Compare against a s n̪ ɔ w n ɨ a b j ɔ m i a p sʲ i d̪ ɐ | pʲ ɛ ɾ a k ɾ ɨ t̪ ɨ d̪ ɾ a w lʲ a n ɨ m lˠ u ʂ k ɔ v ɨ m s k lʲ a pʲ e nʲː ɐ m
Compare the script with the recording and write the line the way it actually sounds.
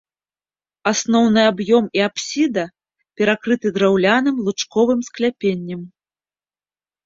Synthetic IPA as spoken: a s n̪ ɔ w n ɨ a b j ɔ m i a p sʲ i d̪ ɐ | pʲ ɛ ɾ a k ɾ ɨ t̪ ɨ d̪ ɾ a w lʲ a n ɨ m lˠ u t͡ʂ k ɔ v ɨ m s k lʲ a pʲ e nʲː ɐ m